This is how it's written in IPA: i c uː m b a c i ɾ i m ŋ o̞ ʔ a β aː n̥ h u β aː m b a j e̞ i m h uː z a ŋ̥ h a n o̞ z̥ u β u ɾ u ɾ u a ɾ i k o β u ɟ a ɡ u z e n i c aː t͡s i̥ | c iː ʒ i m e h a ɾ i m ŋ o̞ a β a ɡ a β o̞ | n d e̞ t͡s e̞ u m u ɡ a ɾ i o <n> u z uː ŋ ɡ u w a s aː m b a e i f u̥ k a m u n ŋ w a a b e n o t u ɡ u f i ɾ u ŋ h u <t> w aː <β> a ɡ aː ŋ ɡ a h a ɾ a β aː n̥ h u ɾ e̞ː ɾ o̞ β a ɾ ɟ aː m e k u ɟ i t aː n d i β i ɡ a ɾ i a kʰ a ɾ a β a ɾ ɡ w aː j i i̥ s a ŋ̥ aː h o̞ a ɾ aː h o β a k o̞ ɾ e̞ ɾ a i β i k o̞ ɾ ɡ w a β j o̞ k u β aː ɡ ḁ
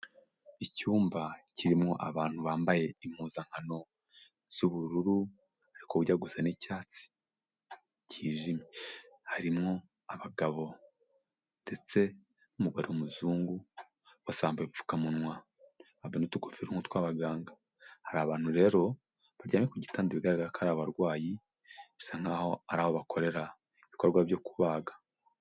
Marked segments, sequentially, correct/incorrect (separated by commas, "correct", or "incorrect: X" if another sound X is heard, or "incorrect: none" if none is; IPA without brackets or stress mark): incorrect: m, correct, correct